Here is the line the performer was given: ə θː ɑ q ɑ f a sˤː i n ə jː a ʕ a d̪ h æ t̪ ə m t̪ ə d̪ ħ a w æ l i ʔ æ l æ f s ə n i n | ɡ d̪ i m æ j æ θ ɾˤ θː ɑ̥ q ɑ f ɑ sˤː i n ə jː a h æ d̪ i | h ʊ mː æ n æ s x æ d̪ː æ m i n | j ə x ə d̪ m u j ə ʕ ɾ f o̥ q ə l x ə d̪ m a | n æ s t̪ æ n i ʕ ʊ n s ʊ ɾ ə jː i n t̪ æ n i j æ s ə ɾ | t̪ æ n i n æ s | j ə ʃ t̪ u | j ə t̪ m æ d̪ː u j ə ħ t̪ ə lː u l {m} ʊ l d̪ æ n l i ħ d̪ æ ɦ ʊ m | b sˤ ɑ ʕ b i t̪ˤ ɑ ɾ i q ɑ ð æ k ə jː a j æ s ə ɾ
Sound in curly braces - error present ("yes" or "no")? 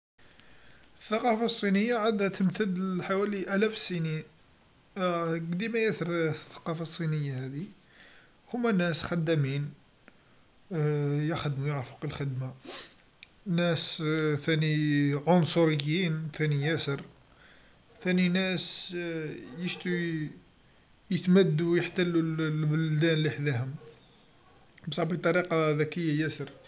yes